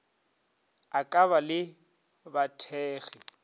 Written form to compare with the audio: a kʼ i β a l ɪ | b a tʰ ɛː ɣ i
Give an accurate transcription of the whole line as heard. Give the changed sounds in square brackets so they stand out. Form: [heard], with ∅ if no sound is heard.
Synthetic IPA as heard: a kʼ [a] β a l ɪ | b a tʰ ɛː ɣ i